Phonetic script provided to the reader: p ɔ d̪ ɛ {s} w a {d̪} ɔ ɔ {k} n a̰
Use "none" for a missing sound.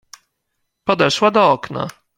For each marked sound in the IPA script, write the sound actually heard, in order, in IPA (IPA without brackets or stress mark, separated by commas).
ʂ, d̪, k